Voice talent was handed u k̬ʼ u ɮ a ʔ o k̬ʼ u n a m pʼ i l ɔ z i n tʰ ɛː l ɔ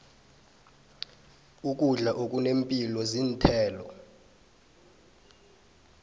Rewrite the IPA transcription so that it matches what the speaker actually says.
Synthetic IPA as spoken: u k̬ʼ u ɮ a ʔ o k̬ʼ u n e m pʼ i l ɔ z i n tʰ ɛː l ɔ